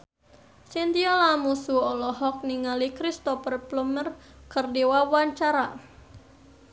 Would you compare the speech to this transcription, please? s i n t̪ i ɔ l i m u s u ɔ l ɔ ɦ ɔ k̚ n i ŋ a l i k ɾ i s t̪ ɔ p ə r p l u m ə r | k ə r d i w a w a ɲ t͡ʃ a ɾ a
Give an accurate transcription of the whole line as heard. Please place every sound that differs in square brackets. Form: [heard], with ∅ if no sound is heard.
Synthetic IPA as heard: s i n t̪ i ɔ l [a] m u s u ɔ l ɔ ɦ ɔ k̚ n i ŋ a l i k ɾ i s t̪ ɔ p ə r p l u m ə r | k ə r d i w a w a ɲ t͡ʃ a ɾ a